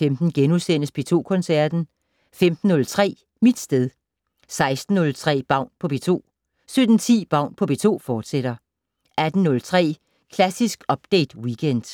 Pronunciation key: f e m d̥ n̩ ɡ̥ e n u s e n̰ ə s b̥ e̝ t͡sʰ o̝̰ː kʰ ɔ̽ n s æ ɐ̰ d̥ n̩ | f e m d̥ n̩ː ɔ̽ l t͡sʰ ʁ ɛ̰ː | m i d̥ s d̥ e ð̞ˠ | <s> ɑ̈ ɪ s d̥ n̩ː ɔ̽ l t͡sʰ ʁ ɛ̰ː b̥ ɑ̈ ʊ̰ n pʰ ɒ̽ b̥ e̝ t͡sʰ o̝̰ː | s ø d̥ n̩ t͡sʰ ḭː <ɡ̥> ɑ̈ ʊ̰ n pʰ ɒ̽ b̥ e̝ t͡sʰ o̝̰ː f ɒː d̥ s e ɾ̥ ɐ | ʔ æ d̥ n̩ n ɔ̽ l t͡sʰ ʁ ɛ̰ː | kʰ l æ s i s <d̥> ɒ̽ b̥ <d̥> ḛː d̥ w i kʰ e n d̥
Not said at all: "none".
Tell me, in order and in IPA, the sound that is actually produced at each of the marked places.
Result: s, b̥, ɡ̥, d̥

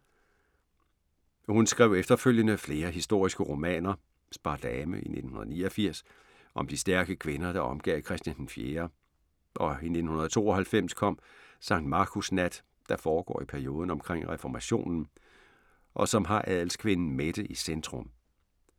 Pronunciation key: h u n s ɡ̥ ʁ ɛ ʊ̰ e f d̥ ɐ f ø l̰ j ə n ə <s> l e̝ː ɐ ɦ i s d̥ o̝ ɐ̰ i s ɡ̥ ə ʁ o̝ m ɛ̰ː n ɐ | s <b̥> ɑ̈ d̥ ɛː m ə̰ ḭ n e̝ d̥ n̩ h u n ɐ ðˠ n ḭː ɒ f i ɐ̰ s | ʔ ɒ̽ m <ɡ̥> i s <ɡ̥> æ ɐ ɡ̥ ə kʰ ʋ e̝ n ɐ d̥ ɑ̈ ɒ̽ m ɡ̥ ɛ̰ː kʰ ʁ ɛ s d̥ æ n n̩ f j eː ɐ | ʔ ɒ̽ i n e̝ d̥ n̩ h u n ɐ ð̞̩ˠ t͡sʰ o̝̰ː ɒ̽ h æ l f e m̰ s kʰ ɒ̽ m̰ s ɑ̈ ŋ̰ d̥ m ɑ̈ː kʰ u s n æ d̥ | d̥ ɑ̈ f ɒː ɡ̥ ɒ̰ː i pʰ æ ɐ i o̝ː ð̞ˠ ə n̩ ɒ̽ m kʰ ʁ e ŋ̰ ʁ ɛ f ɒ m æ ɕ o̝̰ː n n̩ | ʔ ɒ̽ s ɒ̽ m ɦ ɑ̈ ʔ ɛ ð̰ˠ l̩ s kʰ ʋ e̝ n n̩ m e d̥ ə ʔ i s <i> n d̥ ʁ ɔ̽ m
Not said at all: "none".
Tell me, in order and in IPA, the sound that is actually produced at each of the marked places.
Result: f, b̥, d̥, d̥, e

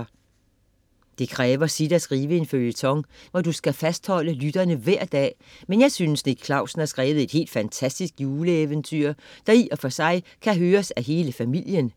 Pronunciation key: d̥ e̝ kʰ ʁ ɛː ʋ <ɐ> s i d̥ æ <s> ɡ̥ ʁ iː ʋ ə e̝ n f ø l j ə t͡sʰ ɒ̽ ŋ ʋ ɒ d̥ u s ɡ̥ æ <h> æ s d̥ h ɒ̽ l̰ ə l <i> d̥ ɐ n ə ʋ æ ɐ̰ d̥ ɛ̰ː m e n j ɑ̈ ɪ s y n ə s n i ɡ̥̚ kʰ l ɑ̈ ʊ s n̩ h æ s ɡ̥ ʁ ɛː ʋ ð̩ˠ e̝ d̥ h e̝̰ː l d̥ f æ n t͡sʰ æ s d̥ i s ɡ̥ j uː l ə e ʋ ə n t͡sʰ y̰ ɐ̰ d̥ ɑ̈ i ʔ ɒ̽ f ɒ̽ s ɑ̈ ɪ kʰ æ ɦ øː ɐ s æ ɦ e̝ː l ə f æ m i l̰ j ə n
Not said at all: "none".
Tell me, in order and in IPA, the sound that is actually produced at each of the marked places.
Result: ɐ, s, f, y

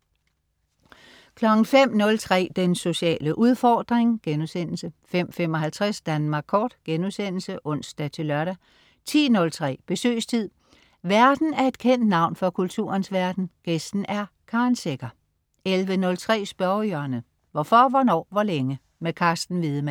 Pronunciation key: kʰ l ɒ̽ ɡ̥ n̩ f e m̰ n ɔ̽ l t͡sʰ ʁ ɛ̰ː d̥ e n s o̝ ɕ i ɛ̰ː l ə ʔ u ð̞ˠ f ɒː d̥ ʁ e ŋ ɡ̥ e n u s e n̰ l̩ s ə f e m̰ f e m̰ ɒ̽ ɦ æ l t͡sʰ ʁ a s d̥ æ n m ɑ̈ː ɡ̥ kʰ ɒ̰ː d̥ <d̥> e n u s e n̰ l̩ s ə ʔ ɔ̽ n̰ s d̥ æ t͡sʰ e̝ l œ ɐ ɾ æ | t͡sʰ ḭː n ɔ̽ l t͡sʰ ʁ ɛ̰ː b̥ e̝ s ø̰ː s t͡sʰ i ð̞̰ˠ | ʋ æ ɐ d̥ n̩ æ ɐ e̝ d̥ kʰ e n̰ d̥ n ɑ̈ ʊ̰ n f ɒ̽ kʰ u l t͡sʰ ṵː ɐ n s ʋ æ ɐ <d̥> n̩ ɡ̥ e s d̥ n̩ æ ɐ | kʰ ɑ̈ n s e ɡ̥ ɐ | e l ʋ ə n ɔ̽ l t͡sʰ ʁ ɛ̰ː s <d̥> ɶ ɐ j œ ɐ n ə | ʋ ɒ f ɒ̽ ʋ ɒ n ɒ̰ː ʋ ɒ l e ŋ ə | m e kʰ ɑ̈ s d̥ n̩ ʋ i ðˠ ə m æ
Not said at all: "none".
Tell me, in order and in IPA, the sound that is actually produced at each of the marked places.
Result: ɡ̥, d̥, b̥

